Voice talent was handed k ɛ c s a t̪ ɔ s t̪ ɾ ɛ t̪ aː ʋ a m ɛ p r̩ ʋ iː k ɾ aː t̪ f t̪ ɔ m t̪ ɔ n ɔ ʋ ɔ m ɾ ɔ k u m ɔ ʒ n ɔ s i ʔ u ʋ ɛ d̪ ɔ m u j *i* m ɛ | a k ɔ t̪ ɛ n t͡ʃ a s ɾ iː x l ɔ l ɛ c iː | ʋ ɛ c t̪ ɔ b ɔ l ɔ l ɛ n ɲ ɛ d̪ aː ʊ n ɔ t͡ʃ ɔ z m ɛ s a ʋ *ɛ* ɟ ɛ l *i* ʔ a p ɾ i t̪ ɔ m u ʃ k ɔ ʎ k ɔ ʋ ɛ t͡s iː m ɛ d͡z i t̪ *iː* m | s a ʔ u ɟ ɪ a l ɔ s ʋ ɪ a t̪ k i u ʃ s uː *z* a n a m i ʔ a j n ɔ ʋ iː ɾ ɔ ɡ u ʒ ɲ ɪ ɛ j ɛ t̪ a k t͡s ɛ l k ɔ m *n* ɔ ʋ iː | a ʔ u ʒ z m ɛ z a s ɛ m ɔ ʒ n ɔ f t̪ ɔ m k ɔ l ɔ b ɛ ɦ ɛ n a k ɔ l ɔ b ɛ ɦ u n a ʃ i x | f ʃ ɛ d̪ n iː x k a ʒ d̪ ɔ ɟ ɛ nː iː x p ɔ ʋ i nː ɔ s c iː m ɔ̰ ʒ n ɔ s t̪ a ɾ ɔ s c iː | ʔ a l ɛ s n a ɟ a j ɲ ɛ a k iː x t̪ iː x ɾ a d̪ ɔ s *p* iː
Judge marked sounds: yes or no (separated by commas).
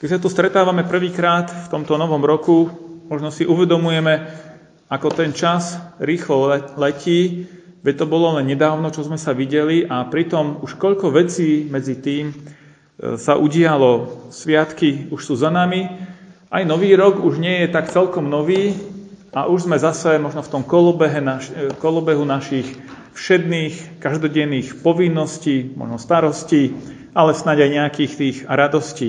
no, no, yes, yes, yes, yes, no